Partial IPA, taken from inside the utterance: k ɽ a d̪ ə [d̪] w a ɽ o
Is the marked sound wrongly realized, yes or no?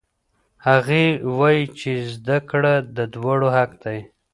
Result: no